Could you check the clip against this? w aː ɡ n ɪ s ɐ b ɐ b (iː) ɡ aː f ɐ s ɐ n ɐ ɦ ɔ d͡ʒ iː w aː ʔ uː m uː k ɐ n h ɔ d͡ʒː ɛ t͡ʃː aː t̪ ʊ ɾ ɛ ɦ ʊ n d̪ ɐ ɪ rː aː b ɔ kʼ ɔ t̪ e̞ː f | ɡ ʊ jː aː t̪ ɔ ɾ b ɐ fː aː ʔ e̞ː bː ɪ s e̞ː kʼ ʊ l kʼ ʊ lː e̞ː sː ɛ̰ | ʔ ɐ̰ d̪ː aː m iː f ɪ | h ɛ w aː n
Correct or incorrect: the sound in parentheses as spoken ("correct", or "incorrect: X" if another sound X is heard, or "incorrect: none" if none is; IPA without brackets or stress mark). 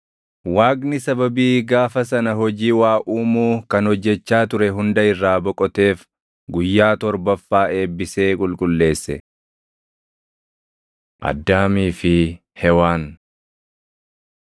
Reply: correct